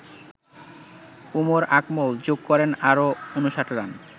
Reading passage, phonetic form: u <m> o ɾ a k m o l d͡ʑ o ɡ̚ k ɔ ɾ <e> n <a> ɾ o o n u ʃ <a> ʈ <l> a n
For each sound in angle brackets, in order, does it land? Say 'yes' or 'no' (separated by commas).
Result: yes, yes, yes, yes, no